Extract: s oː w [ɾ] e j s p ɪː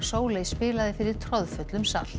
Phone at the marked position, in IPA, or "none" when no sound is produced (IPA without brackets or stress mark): l